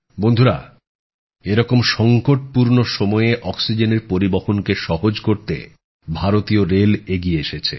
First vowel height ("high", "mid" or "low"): mid